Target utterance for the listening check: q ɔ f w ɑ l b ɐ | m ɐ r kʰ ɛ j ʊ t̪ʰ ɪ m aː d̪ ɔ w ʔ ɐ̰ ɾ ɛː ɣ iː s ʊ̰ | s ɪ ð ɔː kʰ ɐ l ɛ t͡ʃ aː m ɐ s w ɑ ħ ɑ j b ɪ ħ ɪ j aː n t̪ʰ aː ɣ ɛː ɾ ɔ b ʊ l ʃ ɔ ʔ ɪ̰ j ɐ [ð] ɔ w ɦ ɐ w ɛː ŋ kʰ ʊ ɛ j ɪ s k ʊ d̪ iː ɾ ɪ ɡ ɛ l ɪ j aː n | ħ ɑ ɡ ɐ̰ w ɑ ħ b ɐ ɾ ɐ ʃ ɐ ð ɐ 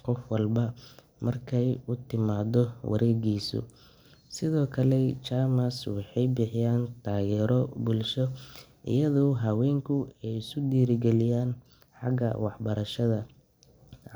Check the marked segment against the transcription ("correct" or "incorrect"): correct